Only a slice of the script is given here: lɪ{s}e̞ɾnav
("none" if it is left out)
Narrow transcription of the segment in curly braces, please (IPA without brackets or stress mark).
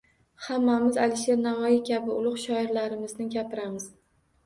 ʃ